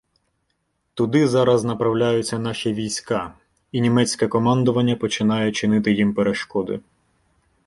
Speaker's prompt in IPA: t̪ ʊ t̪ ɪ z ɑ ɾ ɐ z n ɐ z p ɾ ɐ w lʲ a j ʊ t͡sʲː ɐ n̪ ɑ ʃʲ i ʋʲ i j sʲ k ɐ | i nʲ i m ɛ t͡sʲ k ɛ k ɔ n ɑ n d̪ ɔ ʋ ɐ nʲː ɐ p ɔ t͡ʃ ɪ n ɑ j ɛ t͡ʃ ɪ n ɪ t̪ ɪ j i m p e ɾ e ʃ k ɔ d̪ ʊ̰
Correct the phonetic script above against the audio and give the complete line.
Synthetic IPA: t̪ ʊ d̪ ɪ z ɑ ɾ ɐ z n ɐ p ɾ ɐ w lʲ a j ʊ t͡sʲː ɐ n̪ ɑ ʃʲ i ʋʲ i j sʲ k ɑ | i nʲ i m ɛ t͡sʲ k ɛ k ɔ m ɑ n d̪ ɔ ʋ ɐ nʲː ɐ p ɔ t͡ʃ ɪ n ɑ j ɛ t͡ʃ ɪ n ɪ t̪ ɪ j i m p e ɾ e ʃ k ɔ d̪ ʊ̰